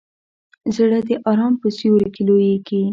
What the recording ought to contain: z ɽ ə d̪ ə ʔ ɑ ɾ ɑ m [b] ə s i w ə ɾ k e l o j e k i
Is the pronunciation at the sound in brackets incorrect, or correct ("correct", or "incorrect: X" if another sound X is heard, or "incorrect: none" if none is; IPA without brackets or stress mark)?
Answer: incorrect: p